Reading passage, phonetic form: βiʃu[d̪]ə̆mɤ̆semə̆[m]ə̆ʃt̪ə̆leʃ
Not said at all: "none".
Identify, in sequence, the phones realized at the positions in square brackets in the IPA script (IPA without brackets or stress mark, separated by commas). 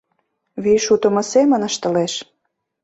t̪, n